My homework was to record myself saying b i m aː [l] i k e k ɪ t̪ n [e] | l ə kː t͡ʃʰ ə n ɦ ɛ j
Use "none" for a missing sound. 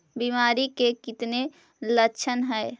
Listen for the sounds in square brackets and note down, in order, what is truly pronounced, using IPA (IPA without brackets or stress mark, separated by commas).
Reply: ɾ, e